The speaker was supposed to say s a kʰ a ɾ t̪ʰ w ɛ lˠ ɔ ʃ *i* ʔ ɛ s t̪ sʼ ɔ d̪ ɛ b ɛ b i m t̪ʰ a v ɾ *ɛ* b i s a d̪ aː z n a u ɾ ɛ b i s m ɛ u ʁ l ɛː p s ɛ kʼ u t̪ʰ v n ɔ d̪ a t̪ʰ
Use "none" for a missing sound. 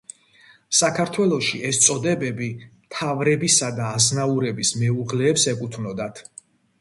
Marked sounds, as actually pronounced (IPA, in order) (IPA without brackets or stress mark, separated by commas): i, ɛ